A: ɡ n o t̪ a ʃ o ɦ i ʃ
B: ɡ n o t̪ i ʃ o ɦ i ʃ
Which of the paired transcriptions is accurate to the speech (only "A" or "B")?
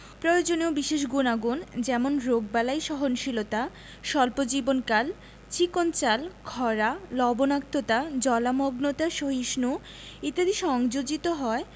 A